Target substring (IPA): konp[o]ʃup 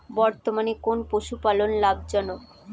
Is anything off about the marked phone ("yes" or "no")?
no